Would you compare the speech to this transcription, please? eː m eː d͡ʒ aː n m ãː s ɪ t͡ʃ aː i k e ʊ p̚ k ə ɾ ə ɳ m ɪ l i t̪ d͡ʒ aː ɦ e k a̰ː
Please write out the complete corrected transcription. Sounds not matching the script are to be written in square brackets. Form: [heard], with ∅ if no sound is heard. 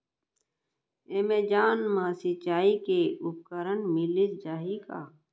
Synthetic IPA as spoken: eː m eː d͡ʒ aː n m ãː s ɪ t͡ʃ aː i k e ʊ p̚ k ə ɾ ə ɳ m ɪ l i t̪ d͡ʒ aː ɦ [i] k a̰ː